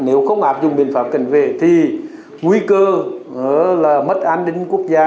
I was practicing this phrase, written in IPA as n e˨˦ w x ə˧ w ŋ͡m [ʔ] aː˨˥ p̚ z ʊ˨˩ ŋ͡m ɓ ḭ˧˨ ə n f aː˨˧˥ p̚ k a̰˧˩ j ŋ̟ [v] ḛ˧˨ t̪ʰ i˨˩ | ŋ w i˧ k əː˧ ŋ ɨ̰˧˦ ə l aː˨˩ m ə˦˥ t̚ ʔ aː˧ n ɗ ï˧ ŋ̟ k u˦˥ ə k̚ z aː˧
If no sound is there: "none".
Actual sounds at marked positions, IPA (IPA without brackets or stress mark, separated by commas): ʔ, v